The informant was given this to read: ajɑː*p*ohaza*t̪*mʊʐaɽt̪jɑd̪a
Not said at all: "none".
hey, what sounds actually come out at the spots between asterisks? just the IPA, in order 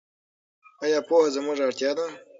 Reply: p, none

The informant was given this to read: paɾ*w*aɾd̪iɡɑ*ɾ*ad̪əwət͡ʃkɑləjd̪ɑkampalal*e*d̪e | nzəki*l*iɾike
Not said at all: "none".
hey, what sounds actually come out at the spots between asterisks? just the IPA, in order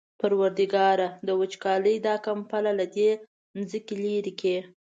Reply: w, ɾ, a, l

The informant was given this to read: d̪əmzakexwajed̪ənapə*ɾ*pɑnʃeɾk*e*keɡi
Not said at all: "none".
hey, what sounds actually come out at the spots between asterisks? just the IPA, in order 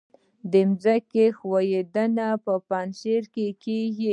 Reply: none, e

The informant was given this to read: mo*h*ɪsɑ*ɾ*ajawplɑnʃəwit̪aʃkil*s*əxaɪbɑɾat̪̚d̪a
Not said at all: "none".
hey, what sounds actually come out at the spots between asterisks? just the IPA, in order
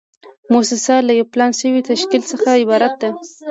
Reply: s, l, s

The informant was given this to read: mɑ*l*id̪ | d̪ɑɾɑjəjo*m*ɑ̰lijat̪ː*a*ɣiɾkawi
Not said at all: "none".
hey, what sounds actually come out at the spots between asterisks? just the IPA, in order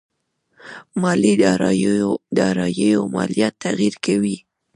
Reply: l, m, a

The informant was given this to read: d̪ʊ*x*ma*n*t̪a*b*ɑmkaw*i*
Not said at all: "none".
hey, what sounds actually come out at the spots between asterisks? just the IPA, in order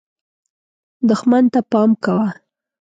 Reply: x, n, p, a

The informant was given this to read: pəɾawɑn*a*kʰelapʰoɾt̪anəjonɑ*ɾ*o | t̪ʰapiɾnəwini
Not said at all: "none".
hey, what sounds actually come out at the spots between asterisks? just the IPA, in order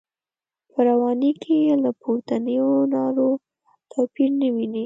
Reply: i, ɾ

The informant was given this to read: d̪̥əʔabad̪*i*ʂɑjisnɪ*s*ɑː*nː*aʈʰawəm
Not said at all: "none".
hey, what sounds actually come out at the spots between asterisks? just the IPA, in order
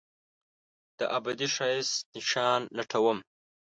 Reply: i, ʃ, nː

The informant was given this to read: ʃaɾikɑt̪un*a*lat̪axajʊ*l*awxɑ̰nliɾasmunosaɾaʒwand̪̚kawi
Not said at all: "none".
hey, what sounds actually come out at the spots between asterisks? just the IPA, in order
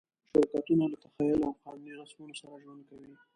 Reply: a, l

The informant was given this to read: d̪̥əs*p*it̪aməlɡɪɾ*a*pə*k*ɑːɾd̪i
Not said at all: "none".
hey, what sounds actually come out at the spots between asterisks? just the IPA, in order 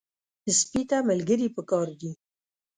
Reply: p, i, k

